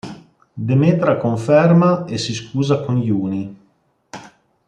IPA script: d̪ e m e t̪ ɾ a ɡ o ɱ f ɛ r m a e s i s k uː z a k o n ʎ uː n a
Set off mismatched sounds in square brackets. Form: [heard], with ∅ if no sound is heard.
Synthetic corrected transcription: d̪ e m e t̪ ɾ a [k] o ɱ f ɛ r m a e s i s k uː z a k o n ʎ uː n [i]